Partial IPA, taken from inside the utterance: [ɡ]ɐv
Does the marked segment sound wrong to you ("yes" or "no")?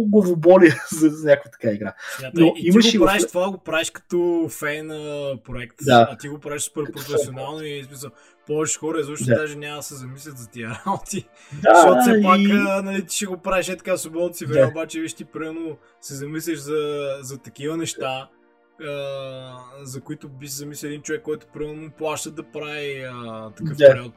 no